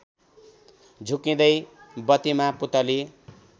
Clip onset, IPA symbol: d͡zʱ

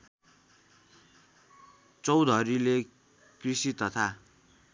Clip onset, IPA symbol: t͡s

